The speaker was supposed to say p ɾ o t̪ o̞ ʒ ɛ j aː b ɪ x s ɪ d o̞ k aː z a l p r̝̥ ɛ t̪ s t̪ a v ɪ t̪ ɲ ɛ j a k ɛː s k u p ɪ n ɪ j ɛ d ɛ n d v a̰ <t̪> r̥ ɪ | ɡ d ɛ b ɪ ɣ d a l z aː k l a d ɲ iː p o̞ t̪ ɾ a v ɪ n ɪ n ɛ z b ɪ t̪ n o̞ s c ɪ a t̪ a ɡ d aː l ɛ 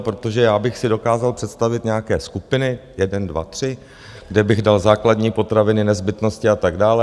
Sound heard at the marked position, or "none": t̪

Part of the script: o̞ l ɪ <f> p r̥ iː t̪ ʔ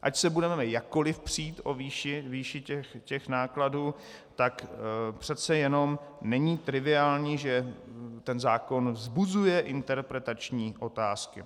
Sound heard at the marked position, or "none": f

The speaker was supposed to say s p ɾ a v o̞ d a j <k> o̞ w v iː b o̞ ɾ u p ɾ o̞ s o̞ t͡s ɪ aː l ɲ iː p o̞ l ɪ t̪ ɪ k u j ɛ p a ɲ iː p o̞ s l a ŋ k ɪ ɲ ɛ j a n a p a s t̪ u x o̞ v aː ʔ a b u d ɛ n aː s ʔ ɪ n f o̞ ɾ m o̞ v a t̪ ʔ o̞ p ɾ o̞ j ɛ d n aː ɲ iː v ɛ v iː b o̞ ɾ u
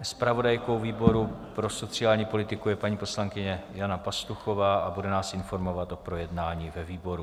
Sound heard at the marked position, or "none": k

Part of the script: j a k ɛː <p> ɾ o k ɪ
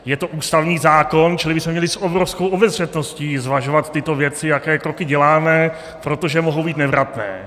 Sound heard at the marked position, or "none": k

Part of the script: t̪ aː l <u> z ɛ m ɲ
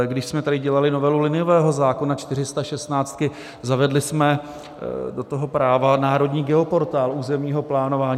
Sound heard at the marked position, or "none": uː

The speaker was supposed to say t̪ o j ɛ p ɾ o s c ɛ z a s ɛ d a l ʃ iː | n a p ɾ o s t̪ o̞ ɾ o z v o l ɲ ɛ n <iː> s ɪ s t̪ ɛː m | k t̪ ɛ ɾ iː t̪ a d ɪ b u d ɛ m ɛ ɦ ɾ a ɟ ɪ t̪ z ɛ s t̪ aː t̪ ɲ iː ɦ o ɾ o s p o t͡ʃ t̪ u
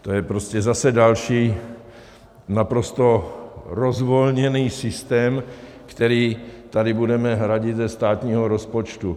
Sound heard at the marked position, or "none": iː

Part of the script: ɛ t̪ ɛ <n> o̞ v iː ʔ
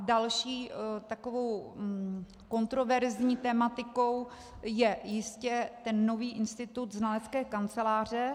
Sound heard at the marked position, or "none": nː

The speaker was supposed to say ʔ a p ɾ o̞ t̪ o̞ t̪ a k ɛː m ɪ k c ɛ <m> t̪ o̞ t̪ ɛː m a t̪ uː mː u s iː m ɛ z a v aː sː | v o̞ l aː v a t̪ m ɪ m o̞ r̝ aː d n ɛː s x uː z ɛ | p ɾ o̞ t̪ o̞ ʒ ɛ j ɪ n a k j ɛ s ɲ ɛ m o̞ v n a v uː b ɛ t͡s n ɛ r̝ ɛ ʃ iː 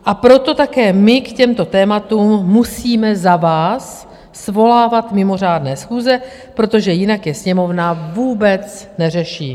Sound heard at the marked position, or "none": m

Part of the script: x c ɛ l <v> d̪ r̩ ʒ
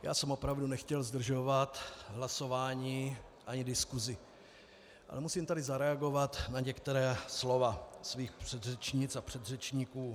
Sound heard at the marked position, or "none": z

